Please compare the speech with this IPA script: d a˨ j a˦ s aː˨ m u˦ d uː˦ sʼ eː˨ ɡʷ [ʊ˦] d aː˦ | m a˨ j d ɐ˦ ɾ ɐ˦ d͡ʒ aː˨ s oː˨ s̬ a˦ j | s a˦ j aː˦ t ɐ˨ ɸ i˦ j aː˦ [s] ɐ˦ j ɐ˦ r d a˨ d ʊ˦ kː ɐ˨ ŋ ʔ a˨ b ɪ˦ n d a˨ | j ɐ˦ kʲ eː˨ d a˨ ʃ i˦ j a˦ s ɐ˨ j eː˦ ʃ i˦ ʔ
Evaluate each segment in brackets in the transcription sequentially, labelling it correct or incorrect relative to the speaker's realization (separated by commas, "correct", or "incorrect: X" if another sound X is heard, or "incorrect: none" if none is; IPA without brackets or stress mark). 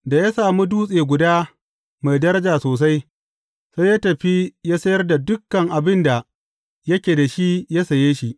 incorrect: ʊ˨, correct